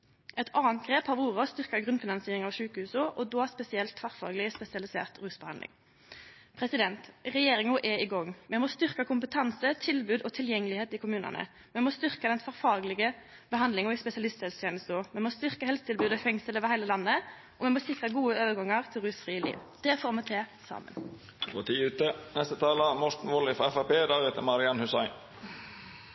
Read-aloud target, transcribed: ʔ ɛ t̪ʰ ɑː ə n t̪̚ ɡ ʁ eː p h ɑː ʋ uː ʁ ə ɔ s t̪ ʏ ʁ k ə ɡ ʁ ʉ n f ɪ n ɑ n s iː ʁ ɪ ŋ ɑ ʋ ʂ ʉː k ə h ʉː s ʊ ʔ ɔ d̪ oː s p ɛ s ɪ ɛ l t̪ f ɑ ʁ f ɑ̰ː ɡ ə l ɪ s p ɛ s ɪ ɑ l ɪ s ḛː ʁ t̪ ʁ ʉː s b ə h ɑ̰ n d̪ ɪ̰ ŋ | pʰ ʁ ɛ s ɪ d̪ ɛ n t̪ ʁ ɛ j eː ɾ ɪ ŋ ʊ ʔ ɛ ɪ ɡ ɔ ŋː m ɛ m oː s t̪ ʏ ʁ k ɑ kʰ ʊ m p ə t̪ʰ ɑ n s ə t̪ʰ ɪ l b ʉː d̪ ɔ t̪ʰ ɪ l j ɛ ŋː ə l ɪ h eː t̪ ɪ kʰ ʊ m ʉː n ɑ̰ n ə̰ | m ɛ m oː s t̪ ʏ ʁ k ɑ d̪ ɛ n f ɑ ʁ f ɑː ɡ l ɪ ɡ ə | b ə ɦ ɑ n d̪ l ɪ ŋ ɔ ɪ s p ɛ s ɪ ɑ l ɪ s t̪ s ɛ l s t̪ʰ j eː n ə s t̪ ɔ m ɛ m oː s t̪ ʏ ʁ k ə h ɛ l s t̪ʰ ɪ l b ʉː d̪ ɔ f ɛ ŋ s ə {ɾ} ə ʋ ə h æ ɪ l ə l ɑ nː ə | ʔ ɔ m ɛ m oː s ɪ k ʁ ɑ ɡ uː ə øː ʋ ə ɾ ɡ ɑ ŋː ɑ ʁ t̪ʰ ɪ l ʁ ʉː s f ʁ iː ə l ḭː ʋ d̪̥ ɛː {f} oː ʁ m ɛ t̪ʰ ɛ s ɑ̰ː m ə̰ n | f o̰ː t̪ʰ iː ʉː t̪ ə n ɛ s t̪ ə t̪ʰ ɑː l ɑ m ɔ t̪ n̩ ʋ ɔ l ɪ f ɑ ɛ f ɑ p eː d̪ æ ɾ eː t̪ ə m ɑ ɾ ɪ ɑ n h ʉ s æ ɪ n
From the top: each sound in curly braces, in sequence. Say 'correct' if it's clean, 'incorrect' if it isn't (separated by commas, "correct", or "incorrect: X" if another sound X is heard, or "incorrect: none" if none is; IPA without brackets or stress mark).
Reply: incorrect: l, correct